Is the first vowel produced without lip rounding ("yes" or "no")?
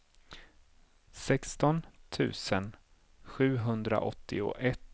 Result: yes